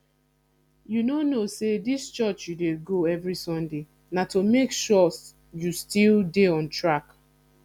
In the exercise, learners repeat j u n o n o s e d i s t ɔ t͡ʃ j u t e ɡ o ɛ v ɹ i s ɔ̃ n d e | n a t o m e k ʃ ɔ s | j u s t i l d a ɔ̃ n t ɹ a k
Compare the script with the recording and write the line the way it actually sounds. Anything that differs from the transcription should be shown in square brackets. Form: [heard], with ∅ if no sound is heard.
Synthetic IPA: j u n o n o s e d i s [t͡ʃ] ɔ t͡ʃ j u [d] e ɡ o ɛ v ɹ i s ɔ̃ n d e | n a t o m e k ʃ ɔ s | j u s t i l d [e] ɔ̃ n t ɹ a k